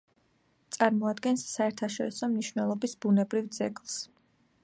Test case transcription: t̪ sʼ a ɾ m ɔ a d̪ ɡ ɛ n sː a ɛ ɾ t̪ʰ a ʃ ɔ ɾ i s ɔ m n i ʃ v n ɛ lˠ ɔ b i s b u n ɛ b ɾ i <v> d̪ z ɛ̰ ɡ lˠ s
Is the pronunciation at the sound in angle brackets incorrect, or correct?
correct